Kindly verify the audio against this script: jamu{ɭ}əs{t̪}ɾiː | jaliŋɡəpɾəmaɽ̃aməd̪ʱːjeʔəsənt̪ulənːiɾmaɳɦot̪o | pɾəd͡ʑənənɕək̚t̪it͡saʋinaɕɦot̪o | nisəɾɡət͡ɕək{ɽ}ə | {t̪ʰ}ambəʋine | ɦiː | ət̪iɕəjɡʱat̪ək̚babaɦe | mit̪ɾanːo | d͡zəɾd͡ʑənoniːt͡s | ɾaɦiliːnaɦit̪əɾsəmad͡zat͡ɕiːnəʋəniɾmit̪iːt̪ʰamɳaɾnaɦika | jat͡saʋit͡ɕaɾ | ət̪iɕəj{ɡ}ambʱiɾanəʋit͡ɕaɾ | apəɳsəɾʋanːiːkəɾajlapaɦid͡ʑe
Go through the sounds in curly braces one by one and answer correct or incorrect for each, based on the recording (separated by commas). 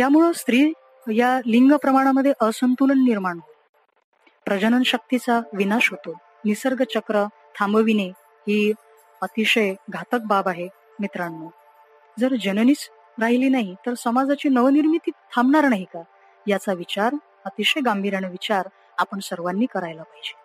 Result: correct, correct, incorrect, correct, correct